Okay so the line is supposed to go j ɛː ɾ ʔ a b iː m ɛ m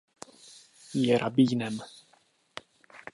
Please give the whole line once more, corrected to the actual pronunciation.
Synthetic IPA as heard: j ɛ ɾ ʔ a b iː n ɛ m